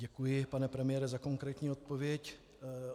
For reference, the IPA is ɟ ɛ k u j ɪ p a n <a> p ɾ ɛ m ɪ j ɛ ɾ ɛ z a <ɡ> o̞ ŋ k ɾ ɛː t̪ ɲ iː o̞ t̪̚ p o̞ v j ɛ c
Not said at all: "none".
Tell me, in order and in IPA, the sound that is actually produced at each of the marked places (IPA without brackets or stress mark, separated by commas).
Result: ɛ, k